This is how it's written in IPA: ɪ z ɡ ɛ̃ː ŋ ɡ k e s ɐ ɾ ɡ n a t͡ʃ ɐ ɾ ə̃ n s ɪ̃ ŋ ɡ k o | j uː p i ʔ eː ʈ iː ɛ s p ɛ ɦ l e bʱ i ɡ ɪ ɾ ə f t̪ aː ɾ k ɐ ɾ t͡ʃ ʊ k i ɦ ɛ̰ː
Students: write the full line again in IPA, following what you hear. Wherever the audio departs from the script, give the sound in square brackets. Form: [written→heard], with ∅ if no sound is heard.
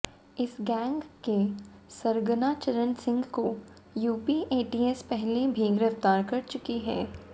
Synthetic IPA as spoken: ɪ [z→s] ɡ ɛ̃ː ŋ ɡ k e s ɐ ɾ ɡ n a t͡ʃ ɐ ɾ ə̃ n s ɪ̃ ŋ ɡ k o | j uː p i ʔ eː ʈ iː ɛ s p ɛ ɦ l e bʱ i ɡ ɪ ɾ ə f t̪ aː ɾ k ɐ ɾ t͡ʃ ʊ k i ɦ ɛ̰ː